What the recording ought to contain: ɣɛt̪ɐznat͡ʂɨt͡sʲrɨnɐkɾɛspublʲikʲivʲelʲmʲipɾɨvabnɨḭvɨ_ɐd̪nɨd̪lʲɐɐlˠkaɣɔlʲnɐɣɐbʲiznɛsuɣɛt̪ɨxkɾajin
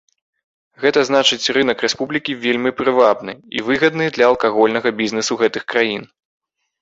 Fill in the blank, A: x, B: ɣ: B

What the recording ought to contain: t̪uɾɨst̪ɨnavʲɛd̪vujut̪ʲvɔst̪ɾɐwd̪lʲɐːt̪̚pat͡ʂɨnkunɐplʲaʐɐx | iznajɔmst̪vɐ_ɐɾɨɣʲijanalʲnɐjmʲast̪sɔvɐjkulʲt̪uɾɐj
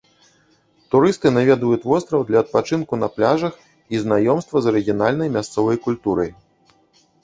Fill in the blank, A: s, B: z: B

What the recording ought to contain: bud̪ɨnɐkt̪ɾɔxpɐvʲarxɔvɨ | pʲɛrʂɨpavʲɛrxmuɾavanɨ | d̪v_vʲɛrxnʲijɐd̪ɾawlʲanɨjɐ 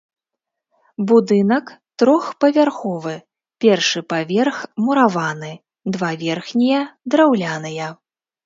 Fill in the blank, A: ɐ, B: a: B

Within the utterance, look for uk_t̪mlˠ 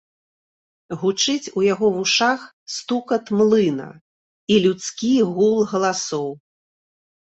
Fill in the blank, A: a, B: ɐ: B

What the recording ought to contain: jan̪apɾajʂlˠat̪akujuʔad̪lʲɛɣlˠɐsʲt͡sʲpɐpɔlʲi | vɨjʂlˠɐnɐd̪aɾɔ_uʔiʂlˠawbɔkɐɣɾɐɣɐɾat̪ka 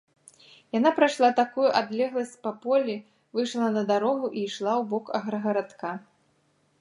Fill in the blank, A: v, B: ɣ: B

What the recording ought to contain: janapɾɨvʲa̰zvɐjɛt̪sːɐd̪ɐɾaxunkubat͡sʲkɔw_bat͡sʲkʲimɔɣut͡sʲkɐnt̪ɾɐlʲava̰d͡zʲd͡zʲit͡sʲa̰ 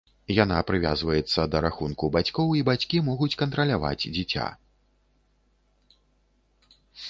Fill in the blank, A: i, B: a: A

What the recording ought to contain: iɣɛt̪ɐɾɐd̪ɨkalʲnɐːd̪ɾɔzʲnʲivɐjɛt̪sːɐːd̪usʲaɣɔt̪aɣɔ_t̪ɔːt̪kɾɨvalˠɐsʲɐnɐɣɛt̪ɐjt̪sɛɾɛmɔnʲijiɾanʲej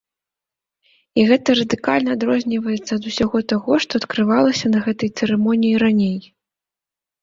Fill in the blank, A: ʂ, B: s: A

